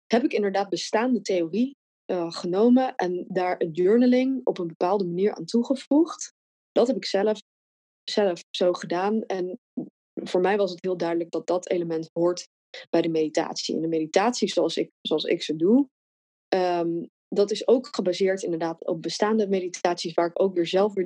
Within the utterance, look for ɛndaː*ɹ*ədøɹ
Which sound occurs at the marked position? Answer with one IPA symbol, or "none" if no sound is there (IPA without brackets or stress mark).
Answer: ɹ